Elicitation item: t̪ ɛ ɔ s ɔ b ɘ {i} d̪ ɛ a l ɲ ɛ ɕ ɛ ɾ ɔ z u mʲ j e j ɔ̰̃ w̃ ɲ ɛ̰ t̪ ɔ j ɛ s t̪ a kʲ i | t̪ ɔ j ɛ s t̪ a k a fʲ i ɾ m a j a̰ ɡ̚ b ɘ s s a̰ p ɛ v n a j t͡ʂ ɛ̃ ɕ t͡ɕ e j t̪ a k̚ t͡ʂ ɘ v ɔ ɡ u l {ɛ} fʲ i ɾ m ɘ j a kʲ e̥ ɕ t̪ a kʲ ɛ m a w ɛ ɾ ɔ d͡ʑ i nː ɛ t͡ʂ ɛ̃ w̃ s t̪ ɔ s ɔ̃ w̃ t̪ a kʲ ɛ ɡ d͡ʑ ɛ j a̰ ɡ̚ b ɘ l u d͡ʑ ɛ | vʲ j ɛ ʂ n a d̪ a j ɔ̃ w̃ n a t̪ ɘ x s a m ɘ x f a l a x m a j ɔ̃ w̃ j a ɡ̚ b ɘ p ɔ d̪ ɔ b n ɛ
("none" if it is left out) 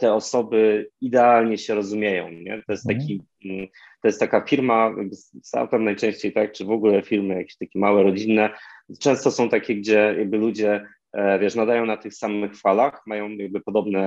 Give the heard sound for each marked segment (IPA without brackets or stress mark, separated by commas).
i, ɛ